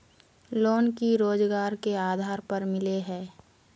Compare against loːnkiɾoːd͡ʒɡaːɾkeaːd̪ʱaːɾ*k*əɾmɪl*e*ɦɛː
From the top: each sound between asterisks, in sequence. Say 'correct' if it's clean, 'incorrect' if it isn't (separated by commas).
incorrect, correct